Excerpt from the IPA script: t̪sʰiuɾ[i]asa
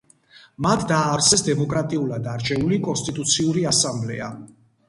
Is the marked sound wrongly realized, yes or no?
no